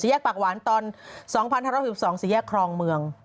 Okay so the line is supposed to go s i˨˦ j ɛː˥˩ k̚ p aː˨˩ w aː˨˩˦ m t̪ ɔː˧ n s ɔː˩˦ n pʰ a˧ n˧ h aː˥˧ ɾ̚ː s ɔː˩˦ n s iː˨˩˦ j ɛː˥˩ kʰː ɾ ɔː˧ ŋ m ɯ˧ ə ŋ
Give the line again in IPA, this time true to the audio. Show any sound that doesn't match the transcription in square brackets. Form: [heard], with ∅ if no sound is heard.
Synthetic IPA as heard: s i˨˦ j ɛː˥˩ k̚ p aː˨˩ w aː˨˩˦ [n] t̪ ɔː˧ n s ɔː˩˦ [ŋ] pʰ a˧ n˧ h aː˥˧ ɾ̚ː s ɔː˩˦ [ŋ] s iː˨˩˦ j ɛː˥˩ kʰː ɾ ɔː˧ ŋ m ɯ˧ ə ŋ